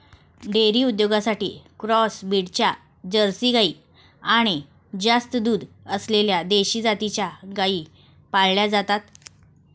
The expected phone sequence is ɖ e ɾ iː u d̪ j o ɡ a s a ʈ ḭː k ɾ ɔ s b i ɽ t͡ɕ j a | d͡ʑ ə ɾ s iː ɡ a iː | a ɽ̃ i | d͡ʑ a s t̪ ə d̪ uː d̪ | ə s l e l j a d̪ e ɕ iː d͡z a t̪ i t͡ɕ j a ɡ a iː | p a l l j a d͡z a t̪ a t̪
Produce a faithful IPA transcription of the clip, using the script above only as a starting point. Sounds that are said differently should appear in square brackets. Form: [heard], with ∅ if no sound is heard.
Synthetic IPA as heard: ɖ e ɾ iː u d̪ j o ɡ a s a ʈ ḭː k ɾ ɔ s b i ɽ t͡ɕ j a | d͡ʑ ə ɾ s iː ɡ a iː | a ɽ̃ i | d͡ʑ a s t̪ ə d̪ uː d̪ | ə s l e l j a d̪ e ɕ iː d͡z a t̪ i t͡ɕ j a ɡ a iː | p a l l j a d͡z a t̪ a t̪